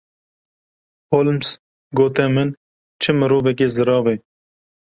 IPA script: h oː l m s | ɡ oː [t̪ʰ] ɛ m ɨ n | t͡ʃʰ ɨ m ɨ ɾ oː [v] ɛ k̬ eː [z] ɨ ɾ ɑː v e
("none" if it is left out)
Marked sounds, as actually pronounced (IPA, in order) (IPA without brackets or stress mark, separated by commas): t̪, v, z